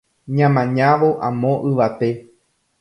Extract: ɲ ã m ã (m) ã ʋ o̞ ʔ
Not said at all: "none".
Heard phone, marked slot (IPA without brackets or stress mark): ɲ